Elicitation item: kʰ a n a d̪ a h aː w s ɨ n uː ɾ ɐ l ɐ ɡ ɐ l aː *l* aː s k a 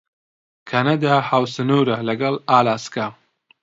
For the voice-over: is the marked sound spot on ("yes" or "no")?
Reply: yes